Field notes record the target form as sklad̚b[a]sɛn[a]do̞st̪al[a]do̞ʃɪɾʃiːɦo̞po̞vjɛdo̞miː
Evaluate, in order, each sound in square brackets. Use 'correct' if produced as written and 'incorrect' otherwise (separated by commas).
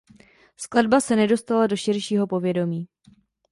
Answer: correct, incorrect, correct